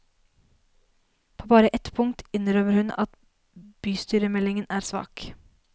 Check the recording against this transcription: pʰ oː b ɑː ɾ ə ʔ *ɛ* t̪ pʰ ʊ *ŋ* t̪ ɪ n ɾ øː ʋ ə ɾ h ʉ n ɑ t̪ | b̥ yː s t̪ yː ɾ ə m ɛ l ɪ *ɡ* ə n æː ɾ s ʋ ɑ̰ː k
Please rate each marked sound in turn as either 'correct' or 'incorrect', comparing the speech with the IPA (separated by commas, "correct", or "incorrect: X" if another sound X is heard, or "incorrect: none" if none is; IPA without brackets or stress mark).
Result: correct, correct, incorrect: ŋ